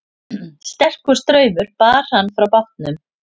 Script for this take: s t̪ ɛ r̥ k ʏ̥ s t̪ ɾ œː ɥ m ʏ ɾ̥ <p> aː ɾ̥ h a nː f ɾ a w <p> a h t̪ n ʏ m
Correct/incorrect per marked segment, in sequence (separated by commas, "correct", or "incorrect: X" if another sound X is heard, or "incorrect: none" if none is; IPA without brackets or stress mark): correct, correct